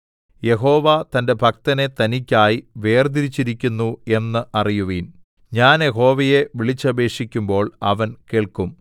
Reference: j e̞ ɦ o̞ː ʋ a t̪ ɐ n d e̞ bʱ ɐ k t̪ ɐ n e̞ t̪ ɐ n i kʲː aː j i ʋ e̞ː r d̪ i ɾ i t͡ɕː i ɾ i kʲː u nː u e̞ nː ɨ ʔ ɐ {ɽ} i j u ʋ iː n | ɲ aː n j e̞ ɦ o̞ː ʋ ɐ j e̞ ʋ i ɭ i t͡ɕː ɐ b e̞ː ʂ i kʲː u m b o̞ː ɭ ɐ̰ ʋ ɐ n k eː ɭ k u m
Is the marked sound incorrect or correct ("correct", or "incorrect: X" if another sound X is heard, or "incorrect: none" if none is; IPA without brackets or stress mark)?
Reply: incorrect: r